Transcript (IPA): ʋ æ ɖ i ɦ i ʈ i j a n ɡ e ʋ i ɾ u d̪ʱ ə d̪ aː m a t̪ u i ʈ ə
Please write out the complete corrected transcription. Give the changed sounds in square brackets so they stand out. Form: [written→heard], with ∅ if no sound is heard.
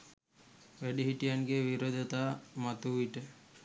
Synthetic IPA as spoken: ʋ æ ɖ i ɦ i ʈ i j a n ɡ e ʋ i ɾ [u→o] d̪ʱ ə [d̪→t̪] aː m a t̪ u i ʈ ə